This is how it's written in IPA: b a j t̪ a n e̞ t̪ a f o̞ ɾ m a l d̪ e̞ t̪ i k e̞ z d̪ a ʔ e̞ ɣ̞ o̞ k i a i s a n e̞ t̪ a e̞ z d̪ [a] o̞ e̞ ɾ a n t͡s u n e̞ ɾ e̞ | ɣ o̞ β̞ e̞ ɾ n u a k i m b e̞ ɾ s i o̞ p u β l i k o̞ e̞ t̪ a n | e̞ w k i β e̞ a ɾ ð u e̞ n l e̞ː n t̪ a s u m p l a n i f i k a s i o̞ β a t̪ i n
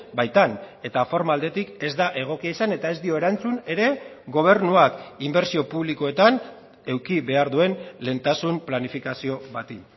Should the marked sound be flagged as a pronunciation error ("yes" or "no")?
yes